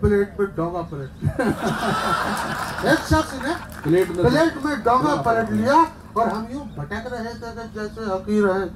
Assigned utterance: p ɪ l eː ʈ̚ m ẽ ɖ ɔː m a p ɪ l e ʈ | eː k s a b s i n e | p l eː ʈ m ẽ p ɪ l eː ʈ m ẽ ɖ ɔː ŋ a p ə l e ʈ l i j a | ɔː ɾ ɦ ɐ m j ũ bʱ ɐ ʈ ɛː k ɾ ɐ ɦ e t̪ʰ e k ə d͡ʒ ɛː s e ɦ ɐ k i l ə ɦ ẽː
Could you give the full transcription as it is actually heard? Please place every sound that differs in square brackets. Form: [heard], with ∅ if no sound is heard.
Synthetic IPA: p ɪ l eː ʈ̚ m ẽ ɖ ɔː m a p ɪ l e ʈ | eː k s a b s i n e | p l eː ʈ m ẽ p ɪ l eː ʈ m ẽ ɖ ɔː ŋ a p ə l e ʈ l i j a | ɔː ɾ ɦ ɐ m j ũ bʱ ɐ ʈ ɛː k ɾ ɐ ɦ e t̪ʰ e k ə d͡ʒ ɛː s e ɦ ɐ k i [ɾ] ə ɦ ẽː